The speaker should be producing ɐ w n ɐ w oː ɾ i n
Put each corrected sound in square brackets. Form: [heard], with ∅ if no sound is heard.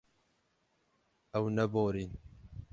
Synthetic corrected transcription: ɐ w n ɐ [b] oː ɾ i n